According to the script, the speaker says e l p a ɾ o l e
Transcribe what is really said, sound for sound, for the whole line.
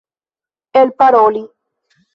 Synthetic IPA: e l p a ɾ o l i